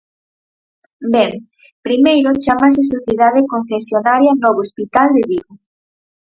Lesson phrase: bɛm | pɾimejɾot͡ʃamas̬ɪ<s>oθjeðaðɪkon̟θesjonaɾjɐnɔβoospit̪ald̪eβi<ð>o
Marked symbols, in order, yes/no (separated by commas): yes, no